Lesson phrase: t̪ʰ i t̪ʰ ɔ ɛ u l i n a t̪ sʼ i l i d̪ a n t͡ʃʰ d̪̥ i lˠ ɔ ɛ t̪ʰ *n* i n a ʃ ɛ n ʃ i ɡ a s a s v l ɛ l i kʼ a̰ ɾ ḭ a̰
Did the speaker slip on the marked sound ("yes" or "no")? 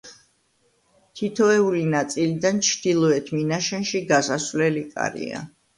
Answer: yes